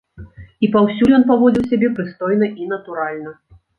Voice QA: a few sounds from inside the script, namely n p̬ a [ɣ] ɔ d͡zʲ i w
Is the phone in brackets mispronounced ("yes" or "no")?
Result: yes